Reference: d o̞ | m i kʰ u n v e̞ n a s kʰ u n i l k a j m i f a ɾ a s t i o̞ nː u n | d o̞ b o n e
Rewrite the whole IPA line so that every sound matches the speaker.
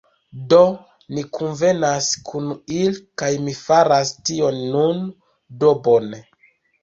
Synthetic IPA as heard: d o̞ | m i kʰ u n v e̞ n a s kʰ u n i l k a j m i f a ɾ a s t i o̞ nː u n | d o̞ b o n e